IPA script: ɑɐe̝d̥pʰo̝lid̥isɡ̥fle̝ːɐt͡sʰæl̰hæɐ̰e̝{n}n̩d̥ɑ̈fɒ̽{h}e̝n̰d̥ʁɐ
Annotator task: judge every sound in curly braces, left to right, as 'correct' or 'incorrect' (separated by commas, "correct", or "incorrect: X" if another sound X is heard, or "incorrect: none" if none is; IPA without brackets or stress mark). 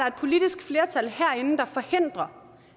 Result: correct, correct